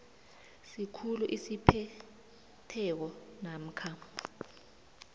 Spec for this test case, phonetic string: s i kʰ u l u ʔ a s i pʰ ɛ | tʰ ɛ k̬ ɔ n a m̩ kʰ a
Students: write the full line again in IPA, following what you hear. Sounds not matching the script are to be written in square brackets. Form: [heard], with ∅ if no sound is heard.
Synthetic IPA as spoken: s i kʰ u l u ʔ [i] s i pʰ ɛ | tʰ ɛ k̬ ɔ n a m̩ kʰ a